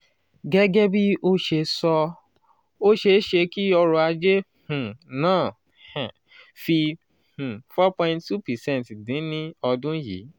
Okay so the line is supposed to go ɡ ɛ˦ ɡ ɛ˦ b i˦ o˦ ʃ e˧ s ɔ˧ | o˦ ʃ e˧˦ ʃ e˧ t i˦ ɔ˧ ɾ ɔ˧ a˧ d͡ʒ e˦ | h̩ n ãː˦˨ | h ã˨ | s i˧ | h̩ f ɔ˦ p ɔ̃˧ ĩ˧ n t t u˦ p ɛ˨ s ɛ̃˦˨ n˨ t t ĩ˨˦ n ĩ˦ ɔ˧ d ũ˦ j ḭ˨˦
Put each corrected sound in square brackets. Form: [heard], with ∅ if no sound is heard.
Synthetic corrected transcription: ɡ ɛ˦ ɡ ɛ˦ b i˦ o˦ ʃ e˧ s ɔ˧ | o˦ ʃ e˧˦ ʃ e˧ [k] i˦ ɔ˧ ɾ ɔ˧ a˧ d͡ʒ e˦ | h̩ n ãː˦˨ | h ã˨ | [f] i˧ | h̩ f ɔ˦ p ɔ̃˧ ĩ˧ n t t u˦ p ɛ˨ s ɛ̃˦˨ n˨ t [d] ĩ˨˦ n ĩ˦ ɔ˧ d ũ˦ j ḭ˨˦